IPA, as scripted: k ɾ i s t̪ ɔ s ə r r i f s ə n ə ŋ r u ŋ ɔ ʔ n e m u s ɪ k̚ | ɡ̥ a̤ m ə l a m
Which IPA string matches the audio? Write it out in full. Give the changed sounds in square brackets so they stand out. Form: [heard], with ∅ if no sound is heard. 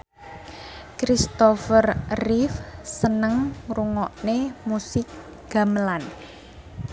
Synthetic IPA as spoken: k ɾ i s t̪ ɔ [f] ə r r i f s ə n ə ŋ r u ŋ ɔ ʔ n e m u s ɪ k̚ | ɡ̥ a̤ m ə l a [n]